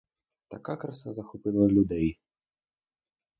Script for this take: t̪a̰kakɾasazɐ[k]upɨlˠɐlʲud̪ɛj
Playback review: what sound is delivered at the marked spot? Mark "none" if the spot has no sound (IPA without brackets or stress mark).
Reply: x